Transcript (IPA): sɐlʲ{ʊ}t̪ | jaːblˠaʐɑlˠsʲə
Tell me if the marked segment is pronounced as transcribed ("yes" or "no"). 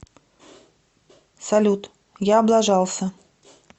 no